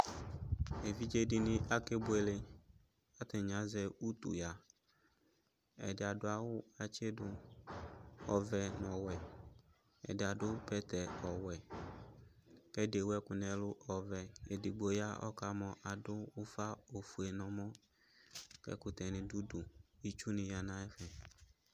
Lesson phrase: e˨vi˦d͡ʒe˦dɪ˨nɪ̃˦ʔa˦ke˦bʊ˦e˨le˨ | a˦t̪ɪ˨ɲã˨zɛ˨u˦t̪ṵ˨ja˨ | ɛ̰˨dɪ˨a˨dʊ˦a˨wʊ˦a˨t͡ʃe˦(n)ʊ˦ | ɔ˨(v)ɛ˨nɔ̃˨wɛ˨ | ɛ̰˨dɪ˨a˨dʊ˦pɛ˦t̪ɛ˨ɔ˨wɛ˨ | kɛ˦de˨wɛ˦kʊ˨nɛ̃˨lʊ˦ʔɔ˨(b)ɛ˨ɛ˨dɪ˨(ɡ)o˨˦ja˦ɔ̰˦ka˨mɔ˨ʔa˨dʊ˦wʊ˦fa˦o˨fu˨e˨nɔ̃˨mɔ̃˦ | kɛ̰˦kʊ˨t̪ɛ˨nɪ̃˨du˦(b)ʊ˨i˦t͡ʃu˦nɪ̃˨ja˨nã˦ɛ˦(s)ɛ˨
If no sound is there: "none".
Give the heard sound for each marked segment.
d, v, v, ɡ͡b, d, f

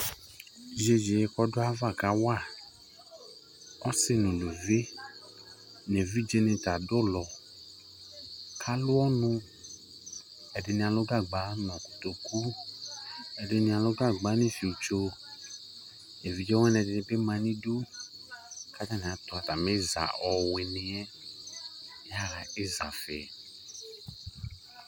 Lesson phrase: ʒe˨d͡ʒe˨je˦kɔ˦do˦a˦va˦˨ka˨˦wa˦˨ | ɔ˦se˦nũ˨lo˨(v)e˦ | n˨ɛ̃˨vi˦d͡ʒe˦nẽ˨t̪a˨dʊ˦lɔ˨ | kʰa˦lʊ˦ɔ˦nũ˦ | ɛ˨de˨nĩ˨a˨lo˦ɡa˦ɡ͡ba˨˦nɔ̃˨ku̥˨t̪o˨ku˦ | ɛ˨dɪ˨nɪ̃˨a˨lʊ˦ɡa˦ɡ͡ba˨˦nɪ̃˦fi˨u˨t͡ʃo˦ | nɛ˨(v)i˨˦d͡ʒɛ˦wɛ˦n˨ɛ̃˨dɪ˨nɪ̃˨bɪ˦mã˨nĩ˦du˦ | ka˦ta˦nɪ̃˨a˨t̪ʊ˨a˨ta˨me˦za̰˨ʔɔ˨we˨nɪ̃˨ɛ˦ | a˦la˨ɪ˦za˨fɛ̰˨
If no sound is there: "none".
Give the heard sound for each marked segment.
v, v

